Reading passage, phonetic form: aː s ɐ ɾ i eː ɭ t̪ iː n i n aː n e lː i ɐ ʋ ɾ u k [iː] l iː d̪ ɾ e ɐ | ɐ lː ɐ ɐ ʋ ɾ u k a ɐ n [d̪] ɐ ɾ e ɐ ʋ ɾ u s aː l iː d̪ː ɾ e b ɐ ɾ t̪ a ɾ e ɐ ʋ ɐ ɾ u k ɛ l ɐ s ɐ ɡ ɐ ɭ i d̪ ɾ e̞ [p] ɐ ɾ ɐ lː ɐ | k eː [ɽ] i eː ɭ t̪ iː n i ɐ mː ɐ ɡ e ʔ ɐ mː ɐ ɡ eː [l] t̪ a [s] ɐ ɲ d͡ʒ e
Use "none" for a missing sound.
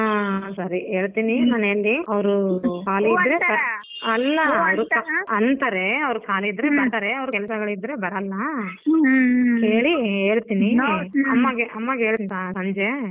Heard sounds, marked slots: aː, t̪, b, ɭ, ɭ, s

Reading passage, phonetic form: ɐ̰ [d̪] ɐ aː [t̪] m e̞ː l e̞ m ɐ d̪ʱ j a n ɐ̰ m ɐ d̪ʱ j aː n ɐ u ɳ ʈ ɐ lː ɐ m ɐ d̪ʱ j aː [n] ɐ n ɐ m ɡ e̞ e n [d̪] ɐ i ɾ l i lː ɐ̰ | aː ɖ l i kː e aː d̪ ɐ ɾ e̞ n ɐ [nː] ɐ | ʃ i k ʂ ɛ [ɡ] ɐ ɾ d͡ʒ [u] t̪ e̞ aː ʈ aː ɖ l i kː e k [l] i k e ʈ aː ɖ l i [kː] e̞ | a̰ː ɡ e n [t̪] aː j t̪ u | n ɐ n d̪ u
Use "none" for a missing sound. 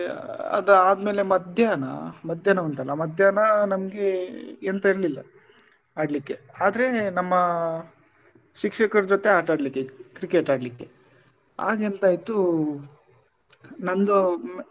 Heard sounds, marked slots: d̪, d̪, n, t̪, mː, k, o, ɾ, kː, t̪

